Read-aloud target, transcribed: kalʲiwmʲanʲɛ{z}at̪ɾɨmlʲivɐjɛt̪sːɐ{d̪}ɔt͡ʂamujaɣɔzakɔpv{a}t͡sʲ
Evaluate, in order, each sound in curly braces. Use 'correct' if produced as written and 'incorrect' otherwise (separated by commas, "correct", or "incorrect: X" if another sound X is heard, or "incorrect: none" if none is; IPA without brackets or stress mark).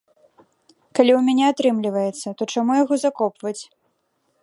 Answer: incorrect: none, incorrect: t̪, incorrect: ɐ